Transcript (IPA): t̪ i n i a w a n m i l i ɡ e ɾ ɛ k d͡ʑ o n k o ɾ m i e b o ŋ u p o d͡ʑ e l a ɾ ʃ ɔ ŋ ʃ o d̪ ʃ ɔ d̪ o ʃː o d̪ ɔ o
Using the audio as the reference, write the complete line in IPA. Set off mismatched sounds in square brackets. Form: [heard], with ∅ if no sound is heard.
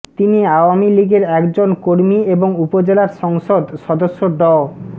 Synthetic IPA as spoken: t̪ i n i a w a [∅] m i l i ɡ e ɾ ɛ k d͡ʑ o n k o ɾ m i e b o ŋ u p o d͡ʑ e l a ɾ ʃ ɔ ŋ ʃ o d̪ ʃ ɔ d̪ o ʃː o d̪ ɔ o